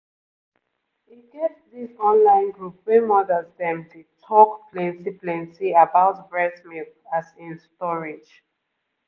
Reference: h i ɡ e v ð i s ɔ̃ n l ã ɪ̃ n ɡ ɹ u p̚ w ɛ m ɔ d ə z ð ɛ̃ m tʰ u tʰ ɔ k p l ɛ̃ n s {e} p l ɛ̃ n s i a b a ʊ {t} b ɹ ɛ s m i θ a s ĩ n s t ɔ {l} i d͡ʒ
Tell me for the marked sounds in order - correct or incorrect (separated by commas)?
incorrect, correct, incorrect